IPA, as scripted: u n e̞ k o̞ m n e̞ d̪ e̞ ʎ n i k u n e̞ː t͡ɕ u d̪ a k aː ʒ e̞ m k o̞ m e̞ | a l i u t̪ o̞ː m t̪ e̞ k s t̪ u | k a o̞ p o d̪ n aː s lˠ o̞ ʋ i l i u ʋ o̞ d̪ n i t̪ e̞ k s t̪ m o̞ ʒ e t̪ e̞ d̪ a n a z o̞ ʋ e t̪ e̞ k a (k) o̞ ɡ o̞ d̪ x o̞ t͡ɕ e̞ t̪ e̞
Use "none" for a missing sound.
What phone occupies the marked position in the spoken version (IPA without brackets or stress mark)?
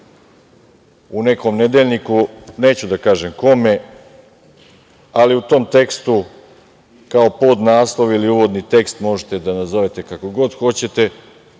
k